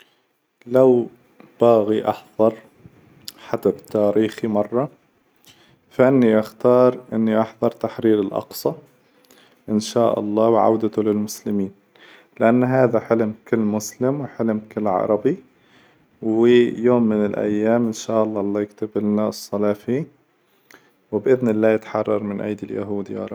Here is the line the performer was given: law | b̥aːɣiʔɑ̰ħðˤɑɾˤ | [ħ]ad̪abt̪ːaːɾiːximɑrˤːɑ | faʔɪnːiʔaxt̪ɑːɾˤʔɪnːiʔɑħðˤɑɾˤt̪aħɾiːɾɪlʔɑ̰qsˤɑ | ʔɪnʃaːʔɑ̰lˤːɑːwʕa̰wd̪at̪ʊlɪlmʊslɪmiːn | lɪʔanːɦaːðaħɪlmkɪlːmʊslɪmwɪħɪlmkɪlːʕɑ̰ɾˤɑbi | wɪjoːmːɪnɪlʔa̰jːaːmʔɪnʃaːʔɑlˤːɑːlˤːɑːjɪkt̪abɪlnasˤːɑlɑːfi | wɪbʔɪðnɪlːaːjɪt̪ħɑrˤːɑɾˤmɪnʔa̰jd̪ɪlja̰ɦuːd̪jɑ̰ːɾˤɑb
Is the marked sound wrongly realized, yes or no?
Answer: no